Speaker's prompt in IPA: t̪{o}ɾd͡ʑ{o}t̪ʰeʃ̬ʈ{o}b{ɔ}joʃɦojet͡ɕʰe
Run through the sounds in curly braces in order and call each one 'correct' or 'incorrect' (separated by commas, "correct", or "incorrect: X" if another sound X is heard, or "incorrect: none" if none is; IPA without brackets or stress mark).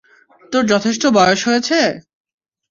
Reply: correct, incorrect: ɔ, correct, correct